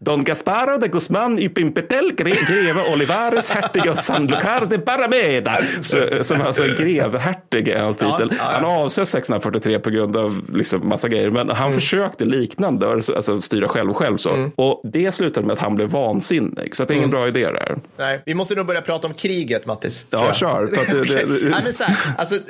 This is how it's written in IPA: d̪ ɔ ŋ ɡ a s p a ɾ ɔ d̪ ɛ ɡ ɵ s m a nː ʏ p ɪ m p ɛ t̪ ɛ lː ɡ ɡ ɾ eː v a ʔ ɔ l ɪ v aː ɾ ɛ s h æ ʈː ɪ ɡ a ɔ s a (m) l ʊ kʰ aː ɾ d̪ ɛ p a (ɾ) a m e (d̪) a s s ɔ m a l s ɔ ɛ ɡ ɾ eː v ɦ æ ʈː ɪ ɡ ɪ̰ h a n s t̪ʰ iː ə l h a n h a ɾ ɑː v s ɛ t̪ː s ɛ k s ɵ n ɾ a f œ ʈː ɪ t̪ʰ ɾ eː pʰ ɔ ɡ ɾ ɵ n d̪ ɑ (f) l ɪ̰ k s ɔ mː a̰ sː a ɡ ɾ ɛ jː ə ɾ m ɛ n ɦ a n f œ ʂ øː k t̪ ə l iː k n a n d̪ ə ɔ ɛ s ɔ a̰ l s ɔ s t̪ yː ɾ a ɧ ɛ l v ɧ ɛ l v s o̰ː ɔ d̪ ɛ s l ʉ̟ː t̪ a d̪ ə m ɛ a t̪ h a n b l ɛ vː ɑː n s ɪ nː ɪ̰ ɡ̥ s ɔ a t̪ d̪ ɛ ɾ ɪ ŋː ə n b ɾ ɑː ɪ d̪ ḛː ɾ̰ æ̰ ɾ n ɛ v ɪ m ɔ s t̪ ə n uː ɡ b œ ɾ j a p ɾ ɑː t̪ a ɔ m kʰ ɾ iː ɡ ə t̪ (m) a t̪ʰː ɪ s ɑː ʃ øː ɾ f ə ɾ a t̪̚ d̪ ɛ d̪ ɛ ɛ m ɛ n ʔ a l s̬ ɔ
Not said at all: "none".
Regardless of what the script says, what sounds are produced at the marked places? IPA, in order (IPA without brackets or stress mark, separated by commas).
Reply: n, ɾ, d̪, v, m